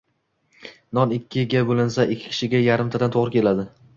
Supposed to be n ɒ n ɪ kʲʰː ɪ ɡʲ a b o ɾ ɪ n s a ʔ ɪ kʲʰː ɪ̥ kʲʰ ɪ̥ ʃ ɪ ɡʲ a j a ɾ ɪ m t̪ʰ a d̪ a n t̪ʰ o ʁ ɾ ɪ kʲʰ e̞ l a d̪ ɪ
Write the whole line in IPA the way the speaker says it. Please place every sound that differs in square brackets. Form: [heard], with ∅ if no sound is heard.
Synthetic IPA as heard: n ɒ n ɪ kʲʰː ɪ ɡʲ a b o [l] ɪ n s a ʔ ɪ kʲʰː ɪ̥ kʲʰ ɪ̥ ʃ ɪ ɡʲ a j a ɾ ɪ m t̪ʰ a d̪ a n t̪ʰ o ʁ ɾ ɪ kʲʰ e̞ l a d̪ ɪ